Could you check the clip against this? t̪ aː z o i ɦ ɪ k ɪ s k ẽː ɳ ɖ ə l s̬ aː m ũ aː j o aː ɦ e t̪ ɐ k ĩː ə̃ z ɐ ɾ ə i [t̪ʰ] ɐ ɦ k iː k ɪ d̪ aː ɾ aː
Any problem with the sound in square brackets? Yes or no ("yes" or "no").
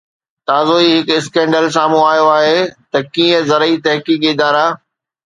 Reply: yes